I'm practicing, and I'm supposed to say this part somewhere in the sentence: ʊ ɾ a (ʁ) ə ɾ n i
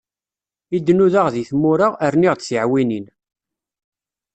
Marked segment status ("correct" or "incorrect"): correct